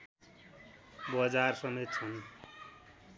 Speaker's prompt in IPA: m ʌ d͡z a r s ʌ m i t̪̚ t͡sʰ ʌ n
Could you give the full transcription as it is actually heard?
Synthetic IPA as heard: b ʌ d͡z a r s ʌ m e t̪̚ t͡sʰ ʌ n